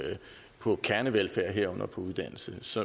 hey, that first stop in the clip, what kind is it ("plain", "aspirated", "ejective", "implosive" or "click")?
aspirated